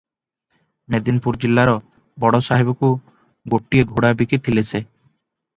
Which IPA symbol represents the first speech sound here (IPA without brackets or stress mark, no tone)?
m